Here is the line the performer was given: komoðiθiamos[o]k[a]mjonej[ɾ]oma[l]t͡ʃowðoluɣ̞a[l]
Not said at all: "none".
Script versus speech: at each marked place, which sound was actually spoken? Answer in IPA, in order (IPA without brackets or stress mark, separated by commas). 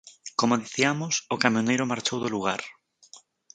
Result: o, a, ɾ, ɾ, ɾ